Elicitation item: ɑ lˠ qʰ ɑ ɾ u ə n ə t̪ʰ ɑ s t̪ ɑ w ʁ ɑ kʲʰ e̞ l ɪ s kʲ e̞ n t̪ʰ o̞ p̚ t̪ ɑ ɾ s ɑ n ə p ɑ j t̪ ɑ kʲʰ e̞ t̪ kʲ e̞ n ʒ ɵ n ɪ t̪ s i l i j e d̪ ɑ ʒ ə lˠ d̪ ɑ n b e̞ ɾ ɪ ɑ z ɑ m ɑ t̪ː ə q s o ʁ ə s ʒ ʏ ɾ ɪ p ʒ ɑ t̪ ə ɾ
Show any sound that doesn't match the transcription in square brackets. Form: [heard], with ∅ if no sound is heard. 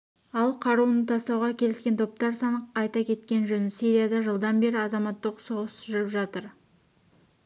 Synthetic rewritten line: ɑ lˠ qʰ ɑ ɾ u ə n ə t̪ʰ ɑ s t̪ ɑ w ʁ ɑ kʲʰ e̞ l ɪ s kʲ e̞ n t̪ʰ o̞ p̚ t̪ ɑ ɾ s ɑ n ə [q] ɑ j t̪ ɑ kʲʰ e̞ t̪ kʲ e̞ n ʒ ɵ n ɪ [∅] s i [ɾ] i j [a] d̪ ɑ ʒ ə lˠ d̪ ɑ n b e̞ ɾ ɪ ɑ z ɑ m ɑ t̪ː ə q s o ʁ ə s ʒ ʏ ɾ ɪ p ʒ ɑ t̪ ə ɾ